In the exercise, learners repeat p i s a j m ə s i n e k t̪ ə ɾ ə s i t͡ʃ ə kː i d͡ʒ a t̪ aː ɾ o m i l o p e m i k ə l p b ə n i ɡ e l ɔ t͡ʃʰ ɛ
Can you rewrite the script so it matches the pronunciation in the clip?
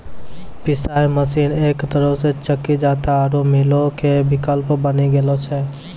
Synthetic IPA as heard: p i s a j m ə s i n e k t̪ ə ɾ ə s e t͡ʃ ə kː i d͡ʒ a t̪ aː ɾ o m i l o k e b i k ə l p b ə n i ɡ e l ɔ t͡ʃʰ ɛ